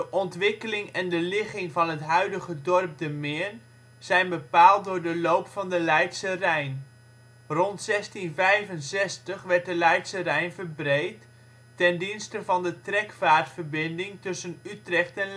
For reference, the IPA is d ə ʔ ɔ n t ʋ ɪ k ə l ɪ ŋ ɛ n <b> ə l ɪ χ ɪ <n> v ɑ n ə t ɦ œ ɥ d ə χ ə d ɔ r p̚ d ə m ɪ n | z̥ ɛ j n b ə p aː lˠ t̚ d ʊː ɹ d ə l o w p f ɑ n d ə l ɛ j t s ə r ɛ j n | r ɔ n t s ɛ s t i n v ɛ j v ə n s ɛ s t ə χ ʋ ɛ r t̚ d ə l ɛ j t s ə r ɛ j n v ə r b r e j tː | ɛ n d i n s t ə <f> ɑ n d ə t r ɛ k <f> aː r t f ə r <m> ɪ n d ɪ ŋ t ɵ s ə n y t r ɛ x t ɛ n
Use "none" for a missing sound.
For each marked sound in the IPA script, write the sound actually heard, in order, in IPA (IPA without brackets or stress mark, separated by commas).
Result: d, ŋ, v, f, b